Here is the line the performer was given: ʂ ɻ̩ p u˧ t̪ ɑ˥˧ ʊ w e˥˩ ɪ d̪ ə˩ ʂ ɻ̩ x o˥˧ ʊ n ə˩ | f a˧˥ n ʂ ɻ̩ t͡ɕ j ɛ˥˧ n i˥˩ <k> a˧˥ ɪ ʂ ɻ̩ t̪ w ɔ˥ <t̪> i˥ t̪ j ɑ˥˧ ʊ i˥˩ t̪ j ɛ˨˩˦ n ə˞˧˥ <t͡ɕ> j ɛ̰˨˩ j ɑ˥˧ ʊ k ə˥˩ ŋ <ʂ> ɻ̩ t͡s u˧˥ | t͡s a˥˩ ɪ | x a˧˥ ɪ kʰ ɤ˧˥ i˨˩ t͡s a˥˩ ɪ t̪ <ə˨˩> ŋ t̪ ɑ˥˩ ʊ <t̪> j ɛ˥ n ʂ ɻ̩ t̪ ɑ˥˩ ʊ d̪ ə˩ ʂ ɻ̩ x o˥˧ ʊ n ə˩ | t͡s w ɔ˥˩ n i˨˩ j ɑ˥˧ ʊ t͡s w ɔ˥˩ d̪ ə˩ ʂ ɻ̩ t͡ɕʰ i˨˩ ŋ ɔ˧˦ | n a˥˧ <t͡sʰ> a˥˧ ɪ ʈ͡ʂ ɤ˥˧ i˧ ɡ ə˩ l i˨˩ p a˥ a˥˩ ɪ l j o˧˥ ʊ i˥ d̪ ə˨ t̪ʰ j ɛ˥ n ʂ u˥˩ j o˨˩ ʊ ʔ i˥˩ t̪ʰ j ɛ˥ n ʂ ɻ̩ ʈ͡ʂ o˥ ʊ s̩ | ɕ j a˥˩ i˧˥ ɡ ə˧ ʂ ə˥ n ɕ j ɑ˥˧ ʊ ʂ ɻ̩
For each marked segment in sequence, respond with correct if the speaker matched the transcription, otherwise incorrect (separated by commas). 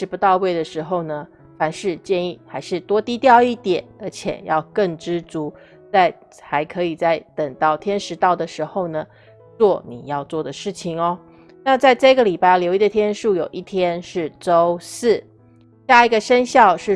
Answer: incorrect, correct, incorrect, incorrect, correct, incorrect, incorrect